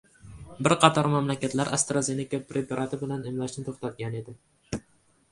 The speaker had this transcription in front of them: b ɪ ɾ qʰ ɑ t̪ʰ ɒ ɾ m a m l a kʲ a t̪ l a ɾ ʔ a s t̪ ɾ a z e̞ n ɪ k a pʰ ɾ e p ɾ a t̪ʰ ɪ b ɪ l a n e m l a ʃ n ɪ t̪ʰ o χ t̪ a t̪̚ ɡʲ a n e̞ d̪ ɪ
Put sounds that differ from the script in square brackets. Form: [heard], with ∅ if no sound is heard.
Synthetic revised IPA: b ɪ ɾ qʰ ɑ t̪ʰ ɒ ɾ m a m l a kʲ a t̪ l a ɾ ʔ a s t̪ ɾ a z e̞ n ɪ k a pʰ ɾ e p ɾ a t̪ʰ ɪ b ɪ l a n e m l a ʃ n ɪ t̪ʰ o χ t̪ a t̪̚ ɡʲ a n e̞ d̪ ɪ